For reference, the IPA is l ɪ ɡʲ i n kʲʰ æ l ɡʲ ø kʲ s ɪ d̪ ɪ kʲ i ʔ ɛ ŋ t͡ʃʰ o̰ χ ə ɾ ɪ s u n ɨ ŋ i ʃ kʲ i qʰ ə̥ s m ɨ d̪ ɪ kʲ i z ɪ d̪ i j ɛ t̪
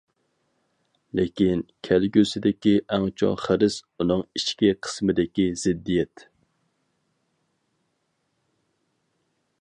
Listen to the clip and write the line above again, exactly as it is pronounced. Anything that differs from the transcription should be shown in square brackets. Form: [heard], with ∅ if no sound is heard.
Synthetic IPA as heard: l ɪ [kʲ] i n kʲʰ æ l ɡʲ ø [∅] s ɪ d̪ ɪ kʲ i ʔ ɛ ŋ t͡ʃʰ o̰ χ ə ɾ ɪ s u n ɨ ŋ i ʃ kʲ i qʰ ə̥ s m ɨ d̪ ɪ kʲ i z ɪ [d̪ː] i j ɛ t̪